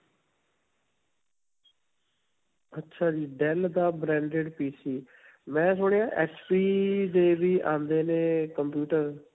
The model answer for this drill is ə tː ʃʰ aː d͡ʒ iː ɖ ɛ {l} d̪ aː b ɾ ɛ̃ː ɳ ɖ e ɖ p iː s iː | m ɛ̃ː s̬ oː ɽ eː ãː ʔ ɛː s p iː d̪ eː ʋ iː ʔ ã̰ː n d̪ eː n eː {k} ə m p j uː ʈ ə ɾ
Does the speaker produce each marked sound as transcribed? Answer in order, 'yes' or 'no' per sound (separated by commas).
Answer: yes, yes